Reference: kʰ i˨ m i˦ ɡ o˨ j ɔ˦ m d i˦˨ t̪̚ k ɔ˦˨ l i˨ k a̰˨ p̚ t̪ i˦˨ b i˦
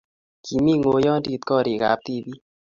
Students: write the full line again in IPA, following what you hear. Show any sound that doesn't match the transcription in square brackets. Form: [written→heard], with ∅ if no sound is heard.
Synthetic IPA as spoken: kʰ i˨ m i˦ [ɡ→ŋ] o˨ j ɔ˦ [m→n] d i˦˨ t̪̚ k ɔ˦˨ [l→ɾ] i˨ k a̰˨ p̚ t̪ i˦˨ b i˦